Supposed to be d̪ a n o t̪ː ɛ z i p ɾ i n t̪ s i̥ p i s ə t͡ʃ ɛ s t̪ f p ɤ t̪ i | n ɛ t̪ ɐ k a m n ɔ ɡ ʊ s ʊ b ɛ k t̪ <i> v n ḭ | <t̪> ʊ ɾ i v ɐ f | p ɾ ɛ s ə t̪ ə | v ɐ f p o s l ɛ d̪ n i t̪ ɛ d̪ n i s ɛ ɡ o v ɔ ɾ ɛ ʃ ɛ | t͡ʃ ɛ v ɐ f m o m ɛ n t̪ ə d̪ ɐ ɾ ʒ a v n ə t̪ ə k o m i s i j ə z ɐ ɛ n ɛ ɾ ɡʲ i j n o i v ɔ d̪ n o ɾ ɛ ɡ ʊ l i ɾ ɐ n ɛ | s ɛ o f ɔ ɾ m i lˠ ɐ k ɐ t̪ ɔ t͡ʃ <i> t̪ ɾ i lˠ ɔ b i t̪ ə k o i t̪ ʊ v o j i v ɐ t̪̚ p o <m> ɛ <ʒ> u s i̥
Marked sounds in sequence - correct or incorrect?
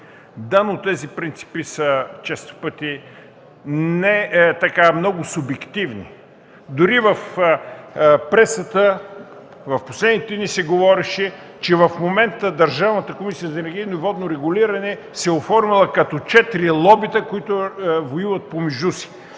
correct, incorrect, incorrect, correct, correct

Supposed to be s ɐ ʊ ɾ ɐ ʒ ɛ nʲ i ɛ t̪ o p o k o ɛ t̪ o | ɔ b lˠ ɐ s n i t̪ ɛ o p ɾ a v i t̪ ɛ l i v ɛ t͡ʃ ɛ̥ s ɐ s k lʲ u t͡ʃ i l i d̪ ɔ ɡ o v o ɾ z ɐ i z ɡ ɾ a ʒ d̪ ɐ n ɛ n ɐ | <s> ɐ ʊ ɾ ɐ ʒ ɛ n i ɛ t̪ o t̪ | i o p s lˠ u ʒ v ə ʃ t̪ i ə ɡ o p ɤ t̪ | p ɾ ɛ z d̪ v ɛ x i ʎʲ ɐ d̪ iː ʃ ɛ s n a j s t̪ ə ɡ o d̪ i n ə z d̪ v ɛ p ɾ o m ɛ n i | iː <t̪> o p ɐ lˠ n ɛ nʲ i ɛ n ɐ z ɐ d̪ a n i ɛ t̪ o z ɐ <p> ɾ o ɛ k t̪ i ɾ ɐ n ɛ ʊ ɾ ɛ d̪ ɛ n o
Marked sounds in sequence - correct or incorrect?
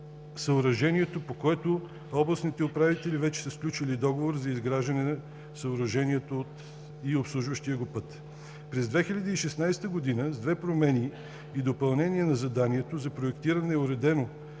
correct, incorrect, correct

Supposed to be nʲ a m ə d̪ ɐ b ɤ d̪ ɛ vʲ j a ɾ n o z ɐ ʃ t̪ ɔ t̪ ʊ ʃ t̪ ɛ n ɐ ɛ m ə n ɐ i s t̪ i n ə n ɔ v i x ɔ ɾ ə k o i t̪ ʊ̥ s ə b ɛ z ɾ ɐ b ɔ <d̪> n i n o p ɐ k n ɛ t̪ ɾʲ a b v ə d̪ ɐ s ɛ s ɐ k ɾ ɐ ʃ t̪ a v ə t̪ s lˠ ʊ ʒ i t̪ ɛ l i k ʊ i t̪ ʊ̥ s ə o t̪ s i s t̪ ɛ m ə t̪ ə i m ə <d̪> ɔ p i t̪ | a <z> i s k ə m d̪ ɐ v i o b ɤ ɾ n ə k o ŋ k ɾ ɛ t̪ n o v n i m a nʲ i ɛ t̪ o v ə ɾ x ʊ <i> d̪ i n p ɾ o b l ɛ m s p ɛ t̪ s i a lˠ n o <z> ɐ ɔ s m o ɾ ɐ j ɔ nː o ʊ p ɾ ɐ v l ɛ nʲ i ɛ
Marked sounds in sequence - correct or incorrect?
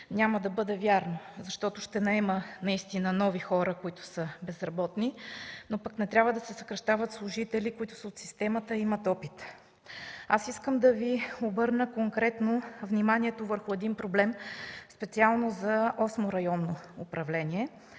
incorrect, incorrect, incorrect, incorrect, correct

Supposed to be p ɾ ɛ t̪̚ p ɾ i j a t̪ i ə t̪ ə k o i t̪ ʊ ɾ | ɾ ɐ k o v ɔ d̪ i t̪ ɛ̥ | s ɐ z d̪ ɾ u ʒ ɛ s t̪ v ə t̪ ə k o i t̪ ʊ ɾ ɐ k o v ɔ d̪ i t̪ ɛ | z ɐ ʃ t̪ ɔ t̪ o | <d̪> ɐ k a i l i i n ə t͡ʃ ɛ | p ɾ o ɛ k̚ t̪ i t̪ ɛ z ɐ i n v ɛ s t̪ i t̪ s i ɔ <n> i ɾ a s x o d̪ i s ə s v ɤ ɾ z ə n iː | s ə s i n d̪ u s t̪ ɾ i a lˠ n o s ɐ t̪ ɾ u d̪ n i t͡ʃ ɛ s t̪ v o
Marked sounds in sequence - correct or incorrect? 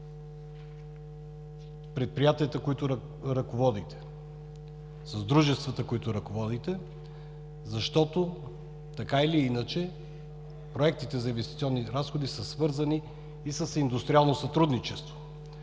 incorrect, incorrect

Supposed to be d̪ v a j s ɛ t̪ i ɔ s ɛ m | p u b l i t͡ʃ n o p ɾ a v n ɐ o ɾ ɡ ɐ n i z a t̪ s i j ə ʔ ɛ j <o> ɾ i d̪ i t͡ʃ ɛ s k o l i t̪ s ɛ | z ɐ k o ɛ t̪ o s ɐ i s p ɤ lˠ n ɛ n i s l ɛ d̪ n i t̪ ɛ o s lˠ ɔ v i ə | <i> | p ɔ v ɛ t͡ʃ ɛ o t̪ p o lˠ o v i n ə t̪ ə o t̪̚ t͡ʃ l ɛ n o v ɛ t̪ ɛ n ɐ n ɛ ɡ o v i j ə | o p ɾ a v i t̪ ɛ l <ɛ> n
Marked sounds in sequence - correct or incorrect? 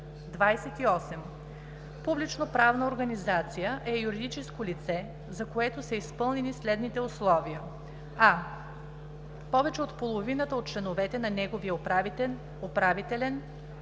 incorrect, incorrect, correct

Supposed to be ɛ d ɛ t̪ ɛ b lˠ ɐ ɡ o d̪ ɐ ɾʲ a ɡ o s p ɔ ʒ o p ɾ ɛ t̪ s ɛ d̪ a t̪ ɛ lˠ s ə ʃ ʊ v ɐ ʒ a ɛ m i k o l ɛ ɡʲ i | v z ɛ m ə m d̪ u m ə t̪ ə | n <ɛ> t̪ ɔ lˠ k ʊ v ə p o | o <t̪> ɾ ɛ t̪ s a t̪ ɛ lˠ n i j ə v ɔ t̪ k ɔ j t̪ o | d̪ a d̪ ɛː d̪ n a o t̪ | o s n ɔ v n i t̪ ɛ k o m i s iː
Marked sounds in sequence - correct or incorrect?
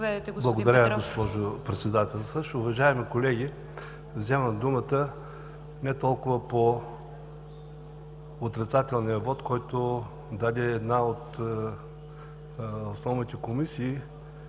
correct, correct

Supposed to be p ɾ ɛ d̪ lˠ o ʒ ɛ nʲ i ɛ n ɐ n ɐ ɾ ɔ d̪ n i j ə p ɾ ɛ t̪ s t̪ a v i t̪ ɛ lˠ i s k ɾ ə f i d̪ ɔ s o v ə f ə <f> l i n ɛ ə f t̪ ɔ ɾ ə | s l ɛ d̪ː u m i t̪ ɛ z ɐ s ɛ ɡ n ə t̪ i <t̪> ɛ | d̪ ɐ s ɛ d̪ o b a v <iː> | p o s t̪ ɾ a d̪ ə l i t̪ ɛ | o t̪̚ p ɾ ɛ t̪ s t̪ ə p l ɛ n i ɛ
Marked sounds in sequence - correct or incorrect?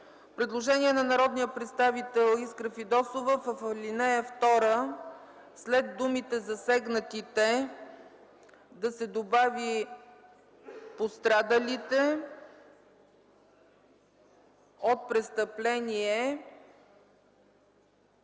correct, correct, incorrect

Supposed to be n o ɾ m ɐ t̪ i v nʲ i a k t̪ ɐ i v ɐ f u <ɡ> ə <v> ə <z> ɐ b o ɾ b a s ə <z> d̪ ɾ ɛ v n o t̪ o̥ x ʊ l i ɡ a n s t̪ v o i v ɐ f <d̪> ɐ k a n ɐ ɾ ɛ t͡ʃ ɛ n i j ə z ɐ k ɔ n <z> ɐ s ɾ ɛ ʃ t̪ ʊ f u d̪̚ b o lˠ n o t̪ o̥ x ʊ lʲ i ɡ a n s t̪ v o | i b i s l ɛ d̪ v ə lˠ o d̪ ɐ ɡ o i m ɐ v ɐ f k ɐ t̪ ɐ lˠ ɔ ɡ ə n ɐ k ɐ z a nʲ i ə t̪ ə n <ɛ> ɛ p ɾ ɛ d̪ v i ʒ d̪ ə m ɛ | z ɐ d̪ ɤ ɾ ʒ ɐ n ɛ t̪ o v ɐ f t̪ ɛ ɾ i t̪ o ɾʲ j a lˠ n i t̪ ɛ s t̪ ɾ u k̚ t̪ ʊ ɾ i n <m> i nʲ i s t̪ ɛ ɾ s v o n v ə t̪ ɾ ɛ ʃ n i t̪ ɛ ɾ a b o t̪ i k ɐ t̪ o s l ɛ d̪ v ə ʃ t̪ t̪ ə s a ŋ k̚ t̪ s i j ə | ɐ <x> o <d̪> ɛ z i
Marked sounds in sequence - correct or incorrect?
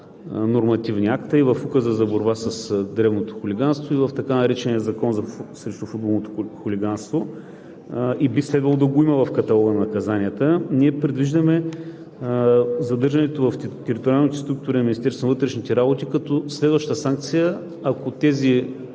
incorrect, incorrect, correct, incorrect, incorrect, correct, incorrect, correct, incorrect, incorrect

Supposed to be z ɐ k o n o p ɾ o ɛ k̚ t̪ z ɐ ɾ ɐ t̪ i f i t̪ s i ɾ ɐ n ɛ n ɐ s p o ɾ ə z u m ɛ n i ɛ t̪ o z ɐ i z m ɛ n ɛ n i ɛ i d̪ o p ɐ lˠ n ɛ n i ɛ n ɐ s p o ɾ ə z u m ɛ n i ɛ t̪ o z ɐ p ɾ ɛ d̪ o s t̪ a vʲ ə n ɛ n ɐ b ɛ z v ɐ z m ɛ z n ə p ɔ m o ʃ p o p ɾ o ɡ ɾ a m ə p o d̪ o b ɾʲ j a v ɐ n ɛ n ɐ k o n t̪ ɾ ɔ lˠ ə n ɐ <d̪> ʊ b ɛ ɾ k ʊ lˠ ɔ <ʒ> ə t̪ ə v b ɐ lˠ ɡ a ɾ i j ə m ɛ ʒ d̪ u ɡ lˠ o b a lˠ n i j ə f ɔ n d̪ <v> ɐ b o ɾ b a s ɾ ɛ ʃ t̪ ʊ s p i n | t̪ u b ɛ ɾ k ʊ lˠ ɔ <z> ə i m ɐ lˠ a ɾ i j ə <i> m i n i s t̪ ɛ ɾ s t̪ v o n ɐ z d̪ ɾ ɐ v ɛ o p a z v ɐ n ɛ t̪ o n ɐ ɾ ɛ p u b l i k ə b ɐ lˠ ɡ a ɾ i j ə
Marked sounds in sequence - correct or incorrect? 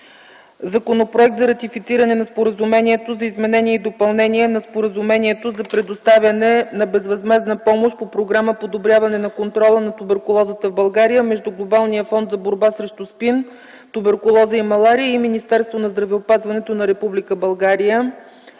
incorrect, incorrect, incorrect, correct, correct

